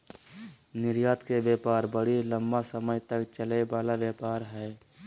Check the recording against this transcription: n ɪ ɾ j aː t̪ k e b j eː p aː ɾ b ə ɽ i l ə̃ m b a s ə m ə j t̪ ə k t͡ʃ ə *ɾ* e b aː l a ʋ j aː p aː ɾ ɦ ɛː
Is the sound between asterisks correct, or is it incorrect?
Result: incorrect